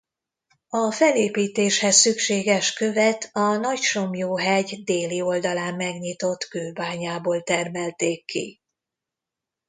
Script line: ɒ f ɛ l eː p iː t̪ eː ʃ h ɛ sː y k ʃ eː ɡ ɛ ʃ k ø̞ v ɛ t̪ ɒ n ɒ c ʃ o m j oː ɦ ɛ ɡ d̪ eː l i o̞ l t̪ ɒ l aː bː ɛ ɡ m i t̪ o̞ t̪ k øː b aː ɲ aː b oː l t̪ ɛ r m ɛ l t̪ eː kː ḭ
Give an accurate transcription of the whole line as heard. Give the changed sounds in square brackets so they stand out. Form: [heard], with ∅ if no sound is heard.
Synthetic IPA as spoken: ɒ f ɛ l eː p iː t̪ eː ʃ h ɛ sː y k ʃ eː ɡ ɛ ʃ k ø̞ v ɛ t̪ ɒ n ɒ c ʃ o m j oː ɦ ɛ [ɟ] d̪ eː l i o̞ l [d̪] ɒ l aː [mː] ɛ ɡ [ɲ] i t̪ o̞ t̪ k øː b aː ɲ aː b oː l t̪ ɛ r m ɛ l t̪ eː kː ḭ